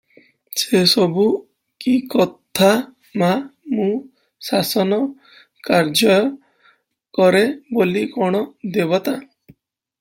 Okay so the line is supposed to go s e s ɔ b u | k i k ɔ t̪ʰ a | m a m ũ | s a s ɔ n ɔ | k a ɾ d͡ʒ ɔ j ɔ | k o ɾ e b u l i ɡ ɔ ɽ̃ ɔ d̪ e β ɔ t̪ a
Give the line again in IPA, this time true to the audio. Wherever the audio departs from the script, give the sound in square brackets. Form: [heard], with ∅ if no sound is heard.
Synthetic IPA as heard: s e s ɔ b u | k i k ɔ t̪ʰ a | m a m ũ | s a s ɔ n ɔ | k a ɾ d͡ʒ ɔ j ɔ | k [ɔ] ɾ e b [o] l i [k] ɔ ɽ̃ ɔ d̪ e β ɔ t̪ a